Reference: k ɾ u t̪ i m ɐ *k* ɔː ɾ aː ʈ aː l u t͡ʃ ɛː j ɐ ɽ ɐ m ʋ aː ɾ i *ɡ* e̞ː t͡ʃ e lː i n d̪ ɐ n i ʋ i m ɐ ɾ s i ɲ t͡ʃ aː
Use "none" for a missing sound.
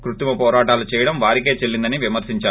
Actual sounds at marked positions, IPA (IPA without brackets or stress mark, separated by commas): p, k